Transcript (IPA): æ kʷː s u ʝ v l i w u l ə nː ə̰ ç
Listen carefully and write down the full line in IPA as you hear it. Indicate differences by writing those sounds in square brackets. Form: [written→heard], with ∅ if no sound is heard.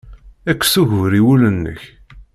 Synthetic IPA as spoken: æ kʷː s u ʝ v [l→ɾ] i w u l ə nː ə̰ ç